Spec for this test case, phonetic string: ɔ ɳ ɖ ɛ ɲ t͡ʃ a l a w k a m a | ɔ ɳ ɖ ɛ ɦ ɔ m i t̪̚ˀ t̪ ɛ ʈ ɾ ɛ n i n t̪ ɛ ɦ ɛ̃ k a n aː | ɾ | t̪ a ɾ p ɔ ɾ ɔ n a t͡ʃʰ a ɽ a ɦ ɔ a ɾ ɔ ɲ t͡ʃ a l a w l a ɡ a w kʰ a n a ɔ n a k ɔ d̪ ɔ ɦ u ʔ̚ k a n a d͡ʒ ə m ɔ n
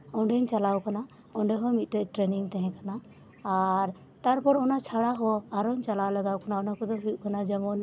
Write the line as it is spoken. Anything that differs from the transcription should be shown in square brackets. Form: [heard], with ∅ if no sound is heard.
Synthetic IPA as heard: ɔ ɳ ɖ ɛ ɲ t͡ʃ a l a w k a [n] a | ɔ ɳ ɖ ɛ ɦ ɔ m i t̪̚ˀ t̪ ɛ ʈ ɾ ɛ n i [ŋ] t̪ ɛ ɦ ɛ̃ k a n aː | ɾ | t̪ a ɾ p ɔ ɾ ɔ n a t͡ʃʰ a ɽ a ɦ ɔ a ɾ ɔ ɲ t͡ʃ a l a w l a ɡ a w [k] a n a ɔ n a k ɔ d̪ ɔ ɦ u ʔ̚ k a n a d͡ʒ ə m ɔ n